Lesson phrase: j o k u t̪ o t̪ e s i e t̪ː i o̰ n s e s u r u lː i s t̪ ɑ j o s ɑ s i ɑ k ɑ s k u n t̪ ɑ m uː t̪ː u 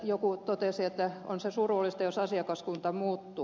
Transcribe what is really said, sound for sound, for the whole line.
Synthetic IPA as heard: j o k u t̪ o t̪ e s i e t̪ː æ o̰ n s e s u r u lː i s t̪ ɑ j o s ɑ s i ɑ k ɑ s k u n t̪ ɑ m uː t̪ː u